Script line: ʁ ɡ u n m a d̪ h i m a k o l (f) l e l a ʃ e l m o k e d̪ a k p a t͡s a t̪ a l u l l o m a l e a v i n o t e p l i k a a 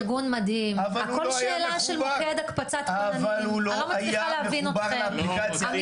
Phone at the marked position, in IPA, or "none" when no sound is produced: ʃ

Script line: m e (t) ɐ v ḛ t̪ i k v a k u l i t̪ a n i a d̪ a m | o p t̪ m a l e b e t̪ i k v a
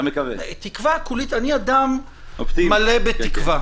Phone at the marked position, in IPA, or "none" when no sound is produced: k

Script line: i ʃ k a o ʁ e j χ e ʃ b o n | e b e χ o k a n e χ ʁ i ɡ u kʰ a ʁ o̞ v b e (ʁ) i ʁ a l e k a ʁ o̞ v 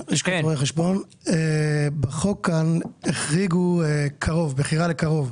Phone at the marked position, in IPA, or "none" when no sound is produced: χ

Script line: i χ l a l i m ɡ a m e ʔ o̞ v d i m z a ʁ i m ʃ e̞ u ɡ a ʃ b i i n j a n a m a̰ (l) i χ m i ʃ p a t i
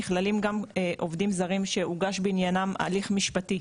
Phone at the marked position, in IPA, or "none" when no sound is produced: l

